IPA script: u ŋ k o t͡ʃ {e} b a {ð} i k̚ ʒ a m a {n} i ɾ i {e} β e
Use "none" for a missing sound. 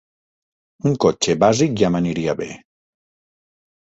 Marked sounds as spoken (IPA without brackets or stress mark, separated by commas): e, z, n, a